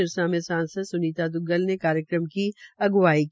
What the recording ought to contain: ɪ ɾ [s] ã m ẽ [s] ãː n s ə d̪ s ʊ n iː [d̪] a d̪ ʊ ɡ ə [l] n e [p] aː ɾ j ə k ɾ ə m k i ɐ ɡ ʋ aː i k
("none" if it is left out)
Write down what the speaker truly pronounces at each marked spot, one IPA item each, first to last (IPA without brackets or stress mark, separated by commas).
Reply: s, s, t̪, l, k